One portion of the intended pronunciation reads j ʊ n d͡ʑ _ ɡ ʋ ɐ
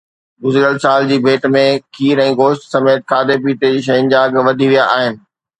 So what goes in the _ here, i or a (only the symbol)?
a